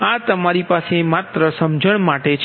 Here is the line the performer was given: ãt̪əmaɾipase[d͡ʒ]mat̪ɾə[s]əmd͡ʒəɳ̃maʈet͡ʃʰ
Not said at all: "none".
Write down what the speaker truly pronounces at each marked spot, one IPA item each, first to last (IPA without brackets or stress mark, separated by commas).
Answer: none, s